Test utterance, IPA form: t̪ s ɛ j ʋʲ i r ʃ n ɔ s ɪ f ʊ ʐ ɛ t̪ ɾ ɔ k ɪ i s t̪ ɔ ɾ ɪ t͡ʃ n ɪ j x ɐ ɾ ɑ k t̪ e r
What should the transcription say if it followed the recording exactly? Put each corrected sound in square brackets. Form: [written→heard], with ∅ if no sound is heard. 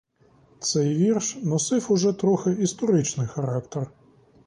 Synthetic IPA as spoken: t̪ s ɛ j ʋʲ i r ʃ n ɔ s ɪ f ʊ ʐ ɛ t̪ ɾ ɔ [k→x] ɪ i s t̪ ɔ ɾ ɪ t͡ʃ n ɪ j x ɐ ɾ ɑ k t̪ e r